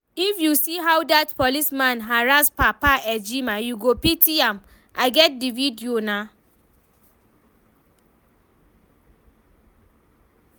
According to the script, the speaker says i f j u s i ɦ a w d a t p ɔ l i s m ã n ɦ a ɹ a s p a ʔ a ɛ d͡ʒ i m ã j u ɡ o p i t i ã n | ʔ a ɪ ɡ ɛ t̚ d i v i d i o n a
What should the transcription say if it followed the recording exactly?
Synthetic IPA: i f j u s i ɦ a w d a t p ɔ l i s m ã n ɦ a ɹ a s p a p a ɛ d͡ʒ i m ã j u ɡ o p i t i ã m | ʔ a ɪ ɡ ɛ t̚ d i v i d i o n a